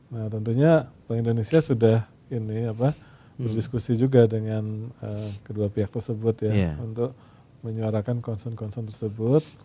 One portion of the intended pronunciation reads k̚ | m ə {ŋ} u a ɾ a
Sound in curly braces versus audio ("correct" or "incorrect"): incorrect